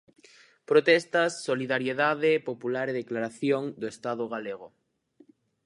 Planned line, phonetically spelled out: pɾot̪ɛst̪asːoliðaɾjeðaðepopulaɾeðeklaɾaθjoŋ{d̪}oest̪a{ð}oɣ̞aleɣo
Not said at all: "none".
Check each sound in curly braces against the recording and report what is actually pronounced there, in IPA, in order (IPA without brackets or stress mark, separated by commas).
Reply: d̪, ð